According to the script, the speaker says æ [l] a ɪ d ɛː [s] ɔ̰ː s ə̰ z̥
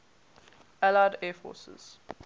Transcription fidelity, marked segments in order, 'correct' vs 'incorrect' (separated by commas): correct, incorrect